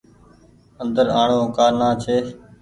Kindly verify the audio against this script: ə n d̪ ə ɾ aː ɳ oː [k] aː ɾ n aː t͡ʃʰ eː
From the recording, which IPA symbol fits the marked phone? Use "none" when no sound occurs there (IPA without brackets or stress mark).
k